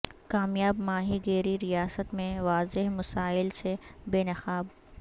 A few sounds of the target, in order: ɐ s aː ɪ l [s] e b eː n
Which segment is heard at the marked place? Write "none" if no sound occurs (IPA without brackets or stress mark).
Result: s